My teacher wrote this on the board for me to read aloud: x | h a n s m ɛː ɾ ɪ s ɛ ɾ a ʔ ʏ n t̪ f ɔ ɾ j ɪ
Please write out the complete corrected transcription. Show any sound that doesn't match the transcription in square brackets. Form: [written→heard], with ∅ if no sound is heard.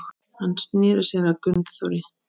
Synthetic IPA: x | h a n s [m→n] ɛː ɾ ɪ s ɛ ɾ a [ʔ→k] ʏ n t̪ [f→θ] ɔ ɾ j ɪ